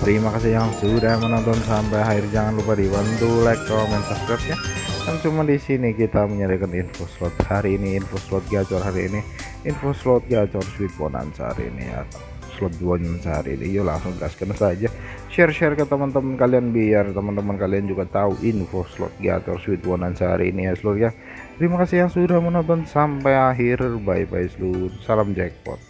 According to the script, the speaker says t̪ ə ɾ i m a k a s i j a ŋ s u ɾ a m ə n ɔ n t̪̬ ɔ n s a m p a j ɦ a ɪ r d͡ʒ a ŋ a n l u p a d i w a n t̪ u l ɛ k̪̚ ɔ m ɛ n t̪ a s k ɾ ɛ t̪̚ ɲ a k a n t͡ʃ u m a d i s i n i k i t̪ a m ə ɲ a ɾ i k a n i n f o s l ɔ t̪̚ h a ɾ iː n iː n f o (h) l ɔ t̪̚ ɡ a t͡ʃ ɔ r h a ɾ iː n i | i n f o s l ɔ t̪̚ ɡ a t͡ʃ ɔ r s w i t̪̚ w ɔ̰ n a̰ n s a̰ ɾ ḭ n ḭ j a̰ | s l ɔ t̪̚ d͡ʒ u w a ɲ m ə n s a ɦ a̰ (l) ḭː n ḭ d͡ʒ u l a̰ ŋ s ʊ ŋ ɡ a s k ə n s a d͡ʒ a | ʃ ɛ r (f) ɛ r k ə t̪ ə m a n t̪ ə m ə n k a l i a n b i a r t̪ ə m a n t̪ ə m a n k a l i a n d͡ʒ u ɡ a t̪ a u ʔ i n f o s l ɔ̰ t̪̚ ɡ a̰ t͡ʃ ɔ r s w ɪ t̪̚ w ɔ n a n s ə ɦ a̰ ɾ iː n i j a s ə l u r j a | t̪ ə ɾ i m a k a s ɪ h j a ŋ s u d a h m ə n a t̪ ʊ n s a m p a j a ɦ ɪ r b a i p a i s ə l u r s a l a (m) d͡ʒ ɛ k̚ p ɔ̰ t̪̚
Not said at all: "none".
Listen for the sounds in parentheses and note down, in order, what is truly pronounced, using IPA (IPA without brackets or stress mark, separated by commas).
s, ɾ, ʃ, m